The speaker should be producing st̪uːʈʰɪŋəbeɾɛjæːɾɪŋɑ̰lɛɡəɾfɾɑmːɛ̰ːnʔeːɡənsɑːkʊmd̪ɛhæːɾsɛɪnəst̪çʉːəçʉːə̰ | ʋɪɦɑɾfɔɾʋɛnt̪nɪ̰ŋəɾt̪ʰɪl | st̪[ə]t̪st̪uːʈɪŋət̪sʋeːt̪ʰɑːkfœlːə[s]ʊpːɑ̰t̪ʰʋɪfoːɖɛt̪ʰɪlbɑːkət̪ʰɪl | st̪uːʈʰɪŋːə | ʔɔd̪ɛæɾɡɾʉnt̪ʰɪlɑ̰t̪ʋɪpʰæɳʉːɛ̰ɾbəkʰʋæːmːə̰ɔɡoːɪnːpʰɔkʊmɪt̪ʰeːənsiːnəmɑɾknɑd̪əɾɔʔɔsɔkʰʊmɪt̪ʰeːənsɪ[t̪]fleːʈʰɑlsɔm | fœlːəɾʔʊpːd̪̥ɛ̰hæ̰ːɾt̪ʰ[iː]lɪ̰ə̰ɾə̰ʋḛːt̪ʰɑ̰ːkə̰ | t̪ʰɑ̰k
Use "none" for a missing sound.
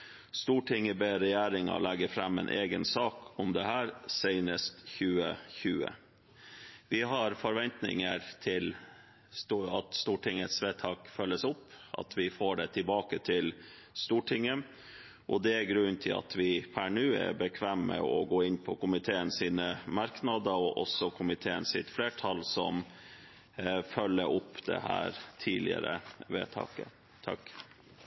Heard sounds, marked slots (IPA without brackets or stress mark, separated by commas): ɑ, s, t̪, iː